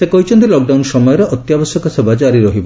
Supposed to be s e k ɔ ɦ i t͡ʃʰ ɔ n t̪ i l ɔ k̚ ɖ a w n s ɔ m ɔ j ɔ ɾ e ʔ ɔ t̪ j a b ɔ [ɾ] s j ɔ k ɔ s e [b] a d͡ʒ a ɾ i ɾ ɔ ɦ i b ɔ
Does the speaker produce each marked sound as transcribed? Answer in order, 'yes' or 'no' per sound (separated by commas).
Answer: no, yes